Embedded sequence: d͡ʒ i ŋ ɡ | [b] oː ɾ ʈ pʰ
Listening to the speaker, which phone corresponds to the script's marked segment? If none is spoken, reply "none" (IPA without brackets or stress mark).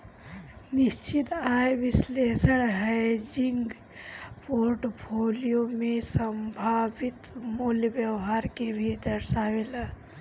p